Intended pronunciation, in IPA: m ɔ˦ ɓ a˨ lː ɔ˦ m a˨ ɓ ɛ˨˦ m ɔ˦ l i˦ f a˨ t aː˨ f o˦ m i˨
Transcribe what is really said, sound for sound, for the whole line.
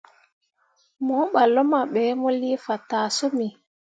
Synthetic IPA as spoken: m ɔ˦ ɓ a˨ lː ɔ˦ m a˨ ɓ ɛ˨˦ m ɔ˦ l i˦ f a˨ t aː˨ s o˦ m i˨